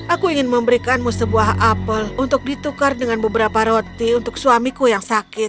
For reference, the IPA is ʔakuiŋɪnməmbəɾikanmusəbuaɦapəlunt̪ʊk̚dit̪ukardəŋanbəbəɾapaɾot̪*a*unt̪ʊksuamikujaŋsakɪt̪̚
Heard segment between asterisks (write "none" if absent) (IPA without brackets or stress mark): i